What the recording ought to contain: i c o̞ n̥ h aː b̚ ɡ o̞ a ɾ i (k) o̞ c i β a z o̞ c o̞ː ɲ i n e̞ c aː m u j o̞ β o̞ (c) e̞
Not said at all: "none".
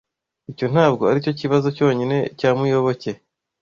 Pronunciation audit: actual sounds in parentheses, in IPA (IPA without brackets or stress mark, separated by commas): c, c